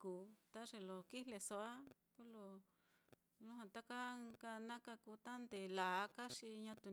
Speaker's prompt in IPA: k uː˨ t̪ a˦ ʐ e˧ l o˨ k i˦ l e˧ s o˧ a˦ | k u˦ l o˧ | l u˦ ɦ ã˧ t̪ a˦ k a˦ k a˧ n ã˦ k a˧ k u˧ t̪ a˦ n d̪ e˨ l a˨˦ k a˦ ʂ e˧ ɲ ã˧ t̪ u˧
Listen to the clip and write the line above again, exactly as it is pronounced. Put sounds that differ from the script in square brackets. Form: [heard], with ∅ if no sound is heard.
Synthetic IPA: k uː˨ t̪ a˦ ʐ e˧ l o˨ k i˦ l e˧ s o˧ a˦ | k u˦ l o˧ | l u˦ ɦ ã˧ t̪ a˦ k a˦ k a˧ n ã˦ k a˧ k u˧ t̪ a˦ n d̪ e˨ l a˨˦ k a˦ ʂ [i˧] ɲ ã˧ t̪ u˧